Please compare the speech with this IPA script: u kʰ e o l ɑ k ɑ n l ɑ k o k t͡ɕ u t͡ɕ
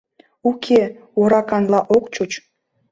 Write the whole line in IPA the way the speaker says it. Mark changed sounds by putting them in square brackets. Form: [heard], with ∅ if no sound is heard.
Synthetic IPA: u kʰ e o [ɾ] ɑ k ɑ n l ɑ [ʔ] o k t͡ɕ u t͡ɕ